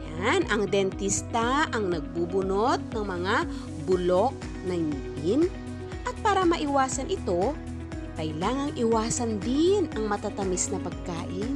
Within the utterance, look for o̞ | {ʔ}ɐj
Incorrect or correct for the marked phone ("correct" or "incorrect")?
incorrect